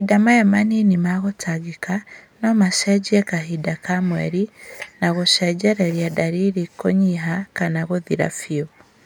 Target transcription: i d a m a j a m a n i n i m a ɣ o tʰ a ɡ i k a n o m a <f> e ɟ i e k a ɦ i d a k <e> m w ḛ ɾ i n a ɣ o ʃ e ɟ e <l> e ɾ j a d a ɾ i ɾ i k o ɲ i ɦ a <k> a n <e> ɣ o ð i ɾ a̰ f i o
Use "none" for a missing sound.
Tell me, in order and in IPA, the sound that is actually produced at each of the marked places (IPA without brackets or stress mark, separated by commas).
ʃ, a, ɾ, k, a